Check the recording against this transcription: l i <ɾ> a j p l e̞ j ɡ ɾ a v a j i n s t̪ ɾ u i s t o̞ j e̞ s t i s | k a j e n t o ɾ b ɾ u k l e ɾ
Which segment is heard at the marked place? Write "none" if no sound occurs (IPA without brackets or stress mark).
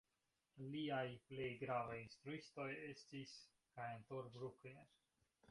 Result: none